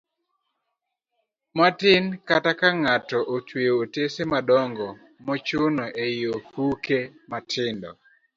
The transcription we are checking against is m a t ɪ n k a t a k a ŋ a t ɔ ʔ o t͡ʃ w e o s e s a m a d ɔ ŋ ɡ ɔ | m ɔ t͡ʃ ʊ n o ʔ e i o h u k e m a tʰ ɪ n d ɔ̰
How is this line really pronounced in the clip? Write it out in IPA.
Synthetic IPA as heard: m a t ɪ n k a t a k a ŋ a t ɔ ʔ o t͡ʃ w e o t e s e m a d ɔ ŋ ɡ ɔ | m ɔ t͡ʃ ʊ n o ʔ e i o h u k e m a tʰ ɪ n d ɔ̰